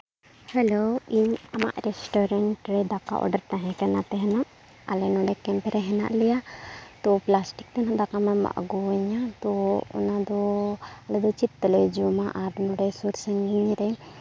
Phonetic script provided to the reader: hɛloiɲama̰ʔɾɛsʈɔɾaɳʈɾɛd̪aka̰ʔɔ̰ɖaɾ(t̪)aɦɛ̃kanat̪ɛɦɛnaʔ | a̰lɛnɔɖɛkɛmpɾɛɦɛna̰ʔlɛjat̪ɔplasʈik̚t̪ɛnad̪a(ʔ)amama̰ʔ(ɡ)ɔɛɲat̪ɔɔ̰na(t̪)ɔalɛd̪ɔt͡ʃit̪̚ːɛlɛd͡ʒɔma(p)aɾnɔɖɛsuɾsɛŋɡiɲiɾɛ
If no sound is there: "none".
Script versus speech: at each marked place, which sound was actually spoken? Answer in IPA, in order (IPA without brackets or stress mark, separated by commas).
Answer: t̪, k, ɡ, d̪, ʔ